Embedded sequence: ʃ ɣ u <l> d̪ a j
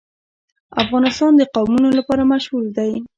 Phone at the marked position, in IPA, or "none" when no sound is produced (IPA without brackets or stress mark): l